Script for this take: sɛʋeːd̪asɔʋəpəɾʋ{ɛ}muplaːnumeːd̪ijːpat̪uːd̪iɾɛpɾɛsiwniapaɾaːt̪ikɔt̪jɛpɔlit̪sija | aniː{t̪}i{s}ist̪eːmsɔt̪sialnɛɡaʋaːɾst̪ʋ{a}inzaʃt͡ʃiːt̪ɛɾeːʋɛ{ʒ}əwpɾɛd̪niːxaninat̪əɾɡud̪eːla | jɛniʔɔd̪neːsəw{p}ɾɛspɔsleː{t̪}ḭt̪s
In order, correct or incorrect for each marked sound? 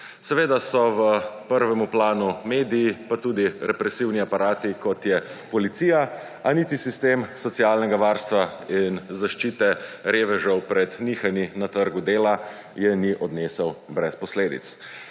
correct, correct, correct, correct, correct, incorrect, incorrect

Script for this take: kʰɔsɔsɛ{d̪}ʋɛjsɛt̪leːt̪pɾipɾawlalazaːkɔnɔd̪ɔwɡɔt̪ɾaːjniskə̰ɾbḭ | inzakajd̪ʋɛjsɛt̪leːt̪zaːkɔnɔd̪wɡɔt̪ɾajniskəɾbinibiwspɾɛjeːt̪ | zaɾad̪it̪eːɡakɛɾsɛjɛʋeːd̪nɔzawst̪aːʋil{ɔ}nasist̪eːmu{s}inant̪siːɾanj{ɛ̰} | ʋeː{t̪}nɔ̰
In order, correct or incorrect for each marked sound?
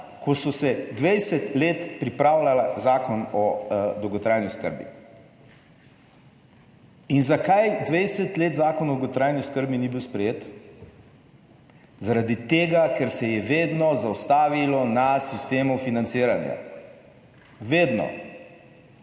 correct, correct, incorrect, incorrect, incorrect

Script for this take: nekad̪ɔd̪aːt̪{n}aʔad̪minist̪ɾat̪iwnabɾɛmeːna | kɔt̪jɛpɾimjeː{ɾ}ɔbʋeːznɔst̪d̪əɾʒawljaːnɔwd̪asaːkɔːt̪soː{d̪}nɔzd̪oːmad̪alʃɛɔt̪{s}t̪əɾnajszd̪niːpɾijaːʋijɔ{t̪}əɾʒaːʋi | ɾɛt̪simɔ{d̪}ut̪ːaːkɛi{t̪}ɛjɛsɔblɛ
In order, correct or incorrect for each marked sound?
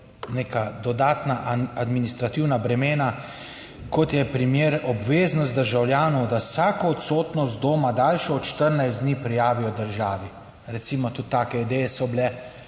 correct, correct, incorrect, incorrect, incorrect, incorrect, incorrect

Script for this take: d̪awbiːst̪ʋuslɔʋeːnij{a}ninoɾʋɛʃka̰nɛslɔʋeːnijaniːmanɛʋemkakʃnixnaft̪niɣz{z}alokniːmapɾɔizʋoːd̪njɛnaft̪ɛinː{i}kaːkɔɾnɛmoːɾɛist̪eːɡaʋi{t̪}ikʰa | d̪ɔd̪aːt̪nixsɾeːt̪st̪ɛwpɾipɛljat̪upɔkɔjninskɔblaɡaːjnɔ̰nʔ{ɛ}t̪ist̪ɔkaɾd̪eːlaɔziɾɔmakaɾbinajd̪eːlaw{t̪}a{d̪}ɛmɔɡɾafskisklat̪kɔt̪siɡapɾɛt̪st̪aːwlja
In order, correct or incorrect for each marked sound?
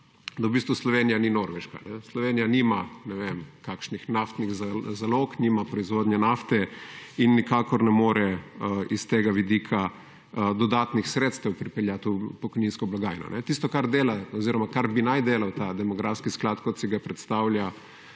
correct, correct, correct, incorrect, correct, correct, correct

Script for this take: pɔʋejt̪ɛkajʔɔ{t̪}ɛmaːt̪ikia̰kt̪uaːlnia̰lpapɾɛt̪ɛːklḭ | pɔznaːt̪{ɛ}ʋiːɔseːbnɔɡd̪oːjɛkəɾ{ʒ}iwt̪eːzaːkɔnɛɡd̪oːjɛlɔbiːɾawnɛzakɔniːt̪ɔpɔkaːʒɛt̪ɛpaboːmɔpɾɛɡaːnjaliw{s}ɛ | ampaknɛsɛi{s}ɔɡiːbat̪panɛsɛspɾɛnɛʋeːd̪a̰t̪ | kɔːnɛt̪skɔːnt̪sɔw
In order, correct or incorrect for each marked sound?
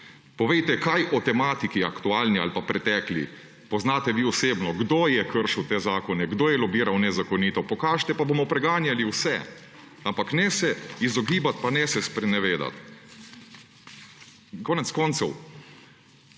correct, correct, incorrect, correct, incorrect

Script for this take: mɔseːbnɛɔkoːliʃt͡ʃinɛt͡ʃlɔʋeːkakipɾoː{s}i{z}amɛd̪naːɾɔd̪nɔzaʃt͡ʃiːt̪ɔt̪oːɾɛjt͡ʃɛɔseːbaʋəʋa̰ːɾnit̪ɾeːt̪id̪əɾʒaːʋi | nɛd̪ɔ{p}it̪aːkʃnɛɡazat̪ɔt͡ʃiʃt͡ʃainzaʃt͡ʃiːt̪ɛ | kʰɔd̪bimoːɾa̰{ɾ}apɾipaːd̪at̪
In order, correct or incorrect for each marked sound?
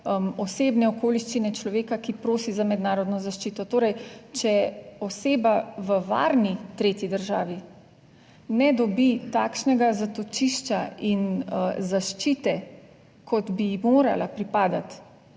correct, correct, incorrect, incorrect

